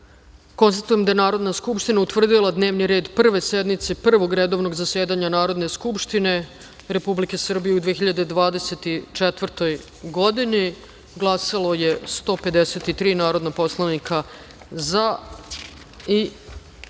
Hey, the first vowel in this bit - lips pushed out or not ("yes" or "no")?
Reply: yes